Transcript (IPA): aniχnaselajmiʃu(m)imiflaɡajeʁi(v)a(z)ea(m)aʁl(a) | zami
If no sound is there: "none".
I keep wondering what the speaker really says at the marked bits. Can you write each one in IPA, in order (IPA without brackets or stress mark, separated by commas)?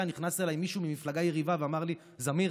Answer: m, v, v, m, i